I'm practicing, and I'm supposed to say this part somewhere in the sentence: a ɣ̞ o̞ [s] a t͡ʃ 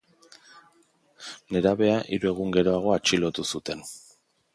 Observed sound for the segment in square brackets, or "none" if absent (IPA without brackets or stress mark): none